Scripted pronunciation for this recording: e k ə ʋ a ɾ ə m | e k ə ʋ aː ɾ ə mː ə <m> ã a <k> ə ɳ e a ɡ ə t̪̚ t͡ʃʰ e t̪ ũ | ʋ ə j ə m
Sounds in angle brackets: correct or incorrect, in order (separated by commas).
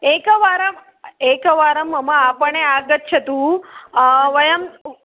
correct, incorrect